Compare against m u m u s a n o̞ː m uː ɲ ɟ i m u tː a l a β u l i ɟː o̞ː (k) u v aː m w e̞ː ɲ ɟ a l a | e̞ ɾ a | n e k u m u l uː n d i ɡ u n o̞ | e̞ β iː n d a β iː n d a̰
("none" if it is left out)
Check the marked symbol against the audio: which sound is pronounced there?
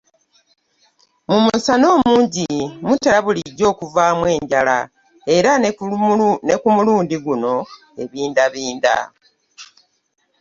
k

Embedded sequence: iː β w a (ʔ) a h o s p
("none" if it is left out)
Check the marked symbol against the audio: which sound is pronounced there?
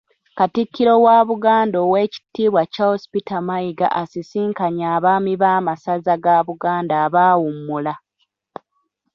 c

